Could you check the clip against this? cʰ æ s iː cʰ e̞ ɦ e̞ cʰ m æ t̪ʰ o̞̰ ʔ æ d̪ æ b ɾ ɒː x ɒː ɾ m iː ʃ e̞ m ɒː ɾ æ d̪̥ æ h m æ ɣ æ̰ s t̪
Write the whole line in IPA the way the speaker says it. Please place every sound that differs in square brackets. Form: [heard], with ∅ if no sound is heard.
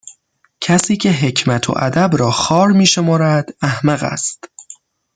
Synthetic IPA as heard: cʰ æ s iː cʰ e̞ ɦ e̞ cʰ m æ t̪ʰ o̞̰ ʔ æ d̪ æ b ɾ ɒː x ɒː ɾ m iː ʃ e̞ m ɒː ɾ æ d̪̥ æ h m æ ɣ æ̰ s t̪